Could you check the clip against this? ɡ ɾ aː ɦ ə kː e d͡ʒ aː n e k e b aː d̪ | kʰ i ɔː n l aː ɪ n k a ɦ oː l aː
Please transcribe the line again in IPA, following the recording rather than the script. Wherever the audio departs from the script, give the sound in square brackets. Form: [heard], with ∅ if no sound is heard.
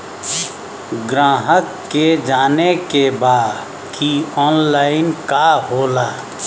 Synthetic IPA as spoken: ɡ ɾ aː ɦ ə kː e d͡ʒ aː n e k e b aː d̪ | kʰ i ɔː n l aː ɪ n k a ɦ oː l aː